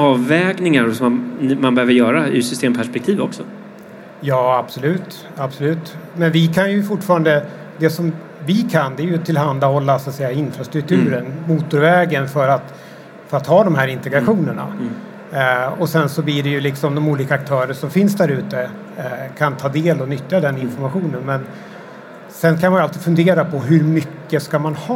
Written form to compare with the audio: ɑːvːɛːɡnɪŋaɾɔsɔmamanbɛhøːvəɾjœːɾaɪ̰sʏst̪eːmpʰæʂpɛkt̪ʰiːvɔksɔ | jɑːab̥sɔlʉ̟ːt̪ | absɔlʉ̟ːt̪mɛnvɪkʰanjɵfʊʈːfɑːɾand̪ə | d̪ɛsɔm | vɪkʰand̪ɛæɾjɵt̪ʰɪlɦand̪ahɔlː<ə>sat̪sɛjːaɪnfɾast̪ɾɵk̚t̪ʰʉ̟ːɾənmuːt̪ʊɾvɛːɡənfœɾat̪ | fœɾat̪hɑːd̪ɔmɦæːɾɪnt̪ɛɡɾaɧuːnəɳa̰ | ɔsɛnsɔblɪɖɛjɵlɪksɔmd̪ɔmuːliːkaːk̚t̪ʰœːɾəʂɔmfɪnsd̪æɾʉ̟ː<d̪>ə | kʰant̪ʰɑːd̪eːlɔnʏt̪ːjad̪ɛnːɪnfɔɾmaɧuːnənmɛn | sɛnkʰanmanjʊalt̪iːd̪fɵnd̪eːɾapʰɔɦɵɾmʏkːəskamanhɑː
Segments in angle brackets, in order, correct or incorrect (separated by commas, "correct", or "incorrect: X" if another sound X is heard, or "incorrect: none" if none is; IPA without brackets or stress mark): incorrect: a, incorrect: t̪